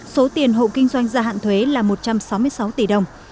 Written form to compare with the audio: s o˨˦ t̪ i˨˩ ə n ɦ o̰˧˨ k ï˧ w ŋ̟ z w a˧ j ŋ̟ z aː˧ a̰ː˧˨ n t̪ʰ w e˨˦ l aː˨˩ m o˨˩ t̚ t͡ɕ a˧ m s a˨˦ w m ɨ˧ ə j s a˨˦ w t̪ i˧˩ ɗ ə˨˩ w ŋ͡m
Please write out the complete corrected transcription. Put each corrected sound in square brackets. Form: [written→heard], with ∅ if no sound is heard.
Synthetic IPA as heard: s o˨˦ t̪ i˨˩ ə n ɦ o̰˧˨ k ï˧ [w→∅] ŋ̟ z w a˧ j ŋ̟ z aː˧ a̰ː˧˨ n t̪ʰ w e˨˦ l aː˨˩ m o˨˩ t̚ t͡ɕ a˧ m s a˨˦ w m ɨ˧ ə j s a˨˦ w t̪ i˧˩ ɗ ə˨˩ w ŋ͡m